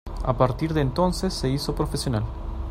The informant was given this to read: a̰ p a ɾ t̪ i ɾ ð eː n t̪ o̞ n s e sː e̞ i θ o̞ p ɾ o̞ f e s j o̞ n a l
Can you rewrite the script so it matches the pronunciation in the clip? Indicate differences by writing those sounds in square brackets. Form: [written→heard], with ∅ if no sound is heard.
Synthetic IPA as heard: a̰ p a ɾ t̪ i ɾ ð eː n t̪ o̞ n s e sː e̞ i [θ→s] o̞ p ɾ o̞ f e s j o̞ n a l